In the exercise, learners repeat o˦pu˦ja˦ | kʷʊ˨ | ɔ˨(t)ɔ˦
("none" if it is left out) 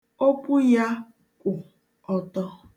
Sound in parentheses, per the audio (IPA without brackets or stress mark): t